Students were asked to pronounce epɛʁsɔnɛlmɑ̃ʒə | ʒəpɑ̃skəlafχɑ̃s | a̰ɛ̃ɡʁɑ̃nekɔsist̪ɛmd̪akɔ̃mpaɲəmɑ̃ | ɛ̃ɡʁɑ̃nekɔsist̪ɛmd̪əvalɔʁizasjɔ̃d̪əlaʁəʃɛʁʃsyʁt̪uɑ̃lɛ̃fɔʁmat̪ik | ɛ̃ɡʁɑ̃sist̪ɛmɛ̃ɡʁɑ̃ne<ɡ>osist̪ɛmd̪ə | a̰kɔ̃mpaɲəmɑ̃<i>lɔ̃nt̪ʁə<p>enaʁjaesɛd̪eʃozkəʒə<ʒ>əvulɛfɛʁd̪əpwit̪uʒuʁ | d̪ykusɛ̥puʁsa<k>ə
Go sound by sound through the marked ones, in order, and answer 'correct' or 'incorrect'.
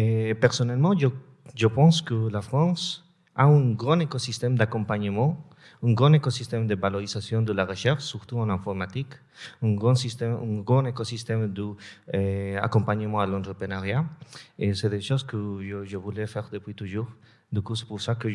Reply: incorrect: k, incorrect: a, correct, correct, correct

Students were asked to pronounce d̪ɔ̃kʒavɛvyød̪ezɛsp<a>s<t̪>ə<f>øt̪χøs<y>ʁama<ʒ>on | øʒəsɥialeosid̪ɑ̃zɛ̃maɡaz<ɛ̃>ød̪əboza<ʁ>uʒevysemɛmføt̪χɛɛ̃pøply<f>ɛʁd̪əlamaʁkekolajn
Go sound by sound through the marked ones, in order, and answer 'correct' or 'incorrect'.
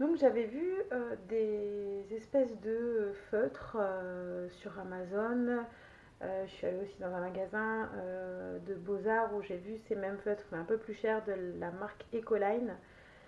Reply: incorrect: ɛ, incorrect: d̪, correct, correct, incorrect: z, correct, correct, incorrect: ʃ

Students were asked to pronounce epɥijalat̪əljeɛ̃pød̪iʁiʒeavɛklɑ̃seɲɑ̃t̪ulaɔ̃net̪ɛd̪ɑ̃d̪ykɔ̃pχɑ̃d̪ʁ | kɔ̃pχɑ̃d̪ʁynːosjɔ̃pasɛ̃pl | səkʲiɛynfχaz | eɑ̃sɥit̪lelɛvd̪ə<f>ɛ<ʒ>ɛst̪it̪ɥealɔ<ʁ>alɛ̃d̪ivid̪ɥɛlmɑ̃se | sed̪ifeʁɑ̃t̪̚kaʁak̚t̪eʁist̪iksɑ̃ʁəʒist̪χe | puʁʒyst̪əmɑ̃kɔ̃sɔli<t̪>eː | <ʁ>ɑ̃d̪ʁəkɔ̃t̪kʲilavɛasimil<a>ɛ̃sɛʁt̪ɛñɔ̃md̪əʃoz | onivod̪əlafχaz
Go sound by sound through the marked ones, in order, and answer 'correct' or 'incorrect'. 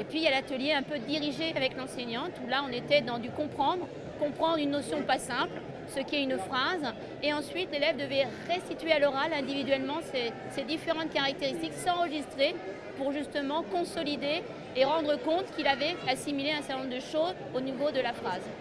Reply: incorrect: v, incorrect: ʁ, correct, incorrect: d̪, correct, incorrect: e

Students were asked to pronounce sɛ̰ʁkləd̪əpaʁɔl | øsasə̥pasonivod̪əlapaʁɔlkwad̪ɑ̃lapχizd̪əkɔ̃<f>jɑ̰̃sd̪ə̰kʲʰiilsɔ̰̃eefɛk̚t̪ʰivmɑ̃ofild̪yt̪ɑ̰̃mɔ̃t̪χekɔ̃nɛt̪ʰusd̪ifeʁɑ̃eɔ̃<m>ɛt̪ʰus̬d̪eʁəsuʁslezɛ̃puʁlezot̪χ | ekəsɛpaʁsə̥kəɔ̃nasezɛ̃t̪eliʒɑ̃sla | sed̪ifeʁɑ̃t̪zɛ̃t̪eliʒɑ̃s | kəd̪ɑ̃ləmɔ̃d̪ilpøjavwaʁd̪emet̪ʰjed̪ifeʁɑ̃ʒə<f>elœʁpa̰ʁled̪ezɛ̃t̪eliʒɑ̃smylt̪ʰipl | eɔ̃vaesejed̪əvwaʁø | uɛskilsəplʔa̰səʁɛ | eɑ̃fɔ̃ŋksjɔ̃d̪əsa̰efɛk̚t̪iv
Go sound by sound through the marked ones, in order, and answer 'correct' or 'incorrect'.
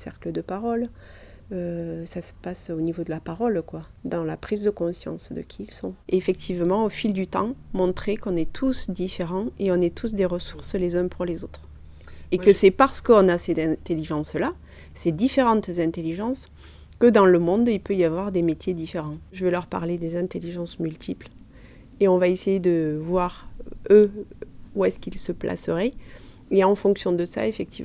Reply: incorrect: s, incorrect: n, incorrect: v

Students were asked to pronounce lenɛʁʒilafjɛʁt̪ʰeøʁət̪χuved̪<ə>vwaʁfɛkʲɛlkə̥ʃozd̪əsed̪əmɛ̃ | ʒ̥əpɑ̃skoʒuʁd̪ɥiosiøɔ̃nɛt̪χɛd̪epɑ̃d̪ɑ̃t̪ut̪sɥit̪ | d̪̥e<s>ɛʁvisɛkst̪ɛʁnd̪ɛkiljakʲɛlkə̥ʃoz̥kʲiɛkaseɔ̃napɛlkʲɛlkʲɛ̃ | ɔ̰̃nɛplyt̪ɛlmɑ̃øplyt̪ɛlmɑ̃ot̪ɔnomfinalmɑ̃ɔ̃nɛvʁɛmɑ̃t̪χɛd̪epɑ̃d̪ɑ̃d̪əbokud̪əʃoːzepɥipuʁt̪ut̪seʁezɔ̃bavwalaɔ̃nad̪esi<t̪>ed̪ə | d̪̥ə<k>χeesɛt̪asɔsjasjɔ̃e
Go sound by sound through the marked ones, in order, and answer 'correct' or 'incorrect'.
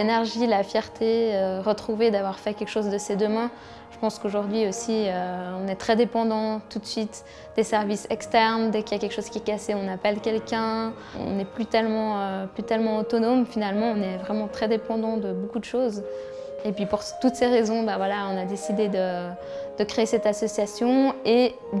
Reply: incorrect: a, correct, incorrect: d̪, correct

